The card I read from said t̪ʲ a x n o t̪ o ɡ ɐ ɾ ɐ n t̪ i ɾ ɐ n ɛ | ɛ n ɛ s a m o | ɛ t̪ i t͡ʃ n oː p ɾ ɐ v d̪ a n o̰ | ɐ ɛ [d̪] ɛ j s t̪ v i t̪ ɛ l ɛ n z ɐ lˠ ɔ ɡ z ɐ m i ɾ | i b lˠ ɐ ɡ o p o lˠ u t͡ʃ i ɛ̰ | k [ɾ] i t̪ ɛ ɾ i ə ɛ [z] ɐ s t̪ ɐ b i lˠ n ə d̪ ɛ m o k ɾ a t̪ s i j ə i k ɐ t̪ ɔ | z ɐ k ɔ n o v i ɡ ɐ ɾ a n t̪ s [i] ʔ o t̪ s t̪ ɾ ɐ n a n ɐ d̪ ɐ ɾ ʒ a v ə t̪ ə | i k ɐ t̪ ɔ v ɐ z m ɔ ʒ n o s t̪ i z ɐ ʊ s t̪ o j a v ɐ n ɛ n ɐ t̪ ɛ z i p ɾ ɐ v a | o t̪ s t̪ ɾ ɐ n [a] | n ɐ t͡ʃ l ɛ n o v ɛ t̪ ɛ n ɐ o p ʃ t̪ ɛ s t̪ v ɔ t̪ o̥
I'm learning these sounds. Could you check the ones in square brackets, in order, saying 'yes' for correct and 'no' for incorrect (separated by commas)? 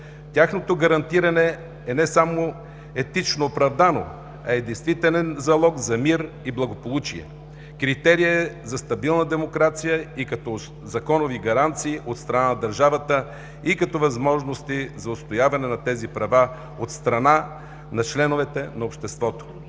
yes, yes, yes, no, yes